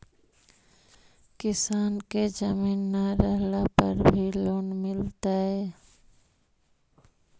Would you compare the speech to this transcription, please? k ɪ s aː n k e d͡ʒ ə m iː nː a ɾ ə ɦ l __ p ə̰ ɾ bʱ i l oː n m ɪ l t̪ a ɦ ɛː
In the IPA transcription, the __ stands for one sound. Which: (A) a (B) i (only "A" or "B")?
A